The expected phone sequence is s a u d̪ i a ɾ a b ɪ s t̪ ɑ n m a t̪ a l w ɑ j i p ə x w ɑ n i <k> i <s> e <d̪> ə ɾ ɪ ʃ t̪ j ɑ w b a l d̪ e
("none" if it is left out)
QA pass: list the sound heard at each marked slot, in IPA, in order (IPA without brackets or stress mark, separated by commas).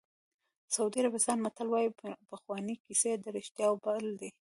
k, s, d̪